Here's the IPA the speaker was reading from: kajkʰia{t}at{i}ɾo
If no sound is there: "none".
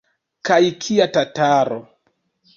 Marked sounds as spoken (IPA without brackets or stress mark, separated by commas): t, a